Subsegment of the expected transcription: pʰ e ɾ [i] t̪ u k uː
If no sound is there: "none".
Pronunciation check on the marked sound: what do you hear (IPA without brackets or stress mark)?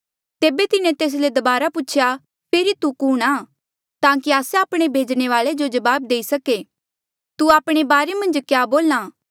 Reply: i